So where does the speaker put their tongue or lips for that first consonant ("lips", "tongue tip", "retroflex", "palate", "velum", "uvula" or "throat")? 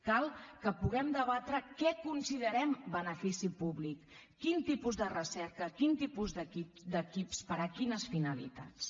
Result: velum